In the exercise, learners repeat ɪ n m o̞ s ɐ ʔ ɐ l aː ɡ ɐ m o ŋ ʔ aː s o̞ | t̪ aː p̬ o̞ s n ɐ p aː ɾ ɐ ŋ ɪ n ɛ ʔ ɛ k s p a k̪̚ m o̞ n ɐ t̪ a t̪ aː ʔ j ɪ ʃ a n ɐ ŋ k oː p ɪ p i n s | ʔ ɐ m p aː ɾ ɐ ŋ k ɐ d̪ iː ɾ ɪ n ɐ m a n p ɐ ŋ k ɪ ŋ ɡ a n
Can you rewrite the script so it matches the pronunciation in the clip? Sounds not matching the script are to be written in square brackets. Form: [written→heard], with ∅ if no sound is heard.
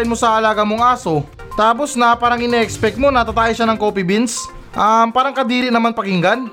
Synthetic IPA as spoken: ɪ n m o̞ s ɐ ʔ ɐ l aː ɡ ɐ m o ŋ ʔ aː s o̞ | t̪ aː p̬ o̞ s n ɐ p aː ɾ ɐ ŋ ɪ n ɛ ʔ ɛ k s p [a→ɛ] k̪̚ m o̞ n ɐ t̪ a t̪ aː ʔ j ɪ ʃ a n ɐ ŋ k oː p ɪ [p→b] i n s | ʔ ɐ m p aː ɾ ɐ ŋ k ɐ d̪ iː ɾ ɪ n ɐ m a n p ɐ [ŋ→∅] k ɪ ŋ ɡ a n